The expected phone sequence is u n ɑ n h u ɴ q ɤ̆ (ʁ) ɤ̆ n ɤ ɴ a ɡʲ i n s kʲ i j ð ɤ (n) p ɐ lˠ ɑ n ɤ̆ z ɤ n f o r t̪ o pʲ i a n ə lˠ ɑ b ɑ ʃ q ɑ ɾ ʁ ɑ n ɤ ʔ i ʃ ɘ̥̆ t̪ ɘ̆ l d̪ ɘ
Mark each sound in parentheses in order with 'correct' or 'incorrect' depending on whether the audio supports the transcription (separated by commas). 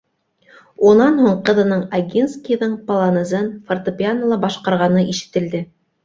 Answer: incorrect, incorrect